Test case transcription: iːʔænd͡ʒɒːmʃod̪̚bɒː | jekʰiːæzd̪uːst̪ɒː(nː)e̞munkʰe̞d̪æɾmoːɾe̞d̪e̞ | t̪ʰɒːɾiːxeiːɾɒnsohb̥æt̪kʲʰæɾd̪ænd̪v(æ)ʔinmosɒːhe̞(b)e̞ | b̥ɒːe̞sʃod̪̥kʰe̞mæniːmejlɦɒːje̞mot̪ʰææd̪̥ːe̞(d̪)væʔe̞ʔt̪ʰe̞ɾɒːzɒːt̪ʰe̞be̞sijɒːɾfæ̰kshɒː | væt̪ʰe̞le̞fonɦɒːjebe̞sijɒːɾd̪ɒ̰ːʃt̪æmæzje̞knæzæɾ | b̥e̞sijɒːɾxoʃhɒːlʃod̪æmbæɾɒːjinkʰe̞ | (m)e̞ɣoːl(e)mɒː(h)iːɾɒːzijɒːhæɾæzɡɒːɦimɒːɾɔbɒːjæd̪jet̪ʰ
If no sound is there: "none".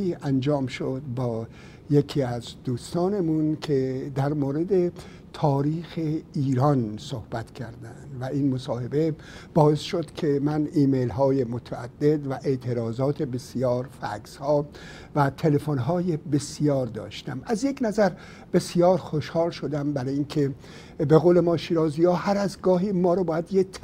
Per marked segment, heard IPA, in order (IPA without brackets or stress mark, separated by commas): n, æ, b, d̪, b, e, ʃ